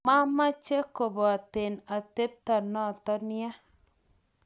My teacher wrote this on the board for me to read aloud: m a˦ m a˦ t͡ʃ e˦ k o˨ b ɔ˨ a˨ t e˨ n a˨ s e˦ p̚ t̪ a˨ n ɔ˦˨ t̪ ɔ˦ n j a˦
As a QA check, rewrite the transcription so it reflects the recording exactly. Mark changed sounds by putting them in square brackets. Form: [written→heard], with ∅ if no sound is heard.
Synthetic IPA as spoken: m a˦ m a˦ t͡ʃ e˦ k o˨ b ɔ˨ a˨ t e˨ n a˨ [s→t] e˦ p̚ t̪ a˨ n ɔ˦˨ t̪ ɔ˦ n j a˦